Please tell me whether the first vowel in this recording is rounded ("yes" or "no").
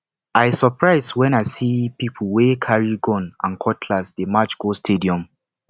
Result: no